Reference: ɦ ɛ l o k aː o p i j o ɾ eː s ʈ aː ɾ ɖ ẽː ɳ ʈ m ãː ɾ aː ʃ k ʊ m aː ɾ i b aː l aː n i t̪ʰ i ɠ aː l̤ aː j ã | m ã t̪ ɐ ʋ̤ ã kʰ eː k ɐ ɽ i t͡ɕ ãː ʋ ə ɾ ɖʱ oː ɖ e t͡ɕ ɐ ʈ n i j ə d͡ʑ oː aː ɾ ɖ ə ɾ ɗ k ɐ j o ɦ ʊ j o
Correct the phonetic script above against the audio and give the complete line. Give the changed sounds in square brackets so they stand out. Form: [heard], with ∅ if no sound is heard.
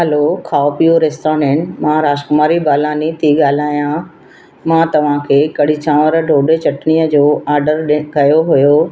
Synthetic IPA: ɦ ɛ l o [kʰ] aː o p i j o ɾ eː s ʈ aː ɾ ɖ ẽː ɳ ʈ m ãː ɾ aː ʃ k ʊ m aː ɾ i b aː l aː n i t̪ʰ i ɠ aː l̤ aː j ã | m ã t̪ ɐ ʋ̤ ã kʰ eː k ɐ ɽ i t͡ɕ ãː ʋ ə ɾ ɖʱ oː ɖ e t͡ɕ ɐ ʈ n i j ə d͡ʑ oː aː ɾ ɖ ə ɾ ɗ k ɐ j o ɦ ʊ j o

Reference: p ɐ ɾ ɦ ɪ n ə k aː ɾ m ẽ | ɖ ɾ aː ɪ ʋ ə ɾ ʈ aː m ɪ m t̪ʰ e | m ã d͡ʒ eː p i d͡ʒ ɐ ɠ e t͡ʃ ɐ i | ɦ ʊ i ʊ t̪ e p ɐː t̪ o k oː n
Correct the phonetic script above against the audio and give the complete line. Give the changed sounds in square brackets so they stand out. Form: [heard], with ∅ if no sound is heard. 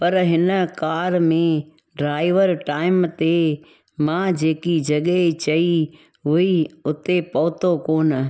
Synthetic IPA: p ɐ ɾ ɦ ɪ n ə k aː ɾ m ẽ | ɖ ɾ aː ɪ ʋ ə ɾ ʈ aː [∅] ɪ m [t̪] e | m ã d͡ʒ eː [k] i d͡ʒ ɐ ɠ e t͡ʃ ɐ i | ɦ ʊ i ʊ t̪ e p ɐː t̪ o k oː n

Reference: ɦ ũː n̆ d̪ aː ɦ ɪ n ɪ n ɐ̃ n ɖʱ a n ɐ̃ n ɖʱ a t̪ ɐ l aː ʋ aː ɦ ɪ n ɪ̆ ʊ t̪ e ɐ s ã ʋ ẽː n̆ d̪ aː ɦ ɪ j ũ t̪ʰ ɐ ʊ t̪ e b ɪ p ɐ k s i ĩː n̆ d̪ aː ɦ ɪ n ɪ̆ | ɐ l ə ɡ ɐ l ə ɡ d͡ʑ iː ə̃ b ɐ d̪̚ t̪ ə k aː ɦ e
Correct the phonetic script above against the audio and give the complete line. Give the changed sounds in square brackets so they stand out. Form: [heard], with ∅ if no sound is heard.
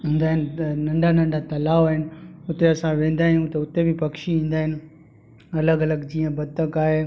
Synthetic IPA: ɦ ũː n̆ d̪ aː ɦ ɪ n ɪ n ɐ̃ [ɳ] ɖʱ a n ɐ̃ [ɳ] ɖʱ a t̪ ɐ l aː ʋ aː ɦ ɪ n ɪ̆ ʊ t̪ e ɐ s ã ʋ ẽː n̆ d̪ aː ɦ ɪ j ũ [t̪] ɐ ʊ t̪ e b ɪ p ɐ k [ʃ] i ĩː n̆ d̪ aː ɦ ɪ n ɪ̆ | ɐ l ə ɡ ɐ l ə ɡ d͡ʑ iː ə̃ b ɐ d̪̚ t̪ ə k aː ɦ e

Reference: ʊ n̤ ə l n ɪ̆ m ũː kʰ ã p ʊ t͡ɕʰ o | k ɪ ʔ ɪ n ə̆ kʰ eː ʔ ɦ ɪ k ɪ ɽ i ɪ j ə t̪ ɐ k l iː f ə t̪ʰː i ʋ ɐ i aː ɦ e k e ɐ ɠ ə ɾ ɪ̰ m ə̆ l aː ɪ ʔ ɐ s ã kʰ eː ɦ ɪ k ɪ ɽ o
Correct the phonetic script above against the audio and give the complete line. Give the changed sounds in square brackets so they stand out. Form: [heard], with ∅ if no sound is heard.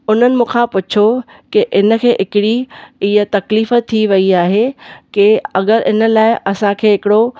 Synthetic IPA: ʊ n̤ ə [∅] n ɪ̆ m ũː kʰ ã p ʊ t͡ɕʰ o | k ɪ ʔ ɪ n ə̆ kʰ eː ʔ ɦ ɪ k ɪ ɽ i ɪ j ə t̪ ɐ k l iː f ə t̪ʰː i ʋ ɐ i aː ɦ e k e ɐ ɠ ə ɾ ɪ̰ [n] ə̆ l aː ɪ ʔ ɐ s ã kʰ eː ɦ ɪ k ɪ ɽ o

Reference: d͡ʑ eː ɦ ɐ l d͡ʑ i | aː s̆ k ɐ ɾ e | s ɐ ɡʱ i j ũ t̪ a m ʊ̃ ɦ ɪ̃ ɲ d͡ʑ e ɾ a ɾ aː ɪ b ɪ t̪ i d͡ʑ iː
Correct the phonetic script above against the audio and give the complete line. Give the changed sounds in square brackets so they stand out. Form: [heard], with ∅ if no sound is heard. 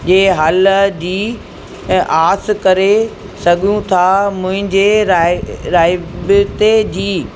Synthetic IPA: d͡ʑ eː ɦ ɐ l d͡ʑ [iː] | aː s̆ k ɐ ɾ e | s ɐ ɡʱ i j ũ [t̪ʰ] a m ʊ̃ ɦ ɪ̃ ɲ d͡ʑ e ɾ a ɾ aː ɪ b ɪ t̪ [e] d͡ʑ iː

